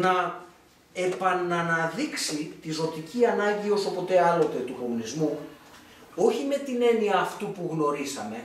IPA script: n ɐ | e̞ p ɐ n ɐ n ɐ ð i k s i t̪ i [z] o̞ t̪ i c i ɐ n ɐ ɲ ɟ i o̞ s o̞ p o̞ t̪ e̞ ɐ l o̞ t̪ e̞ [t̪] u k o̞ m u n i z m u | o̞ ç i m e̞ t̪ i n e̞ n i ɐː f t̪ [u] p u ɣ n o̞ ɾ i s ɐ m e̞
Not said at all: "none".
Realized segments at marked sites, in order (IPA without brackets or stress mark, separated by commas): z, t̪, u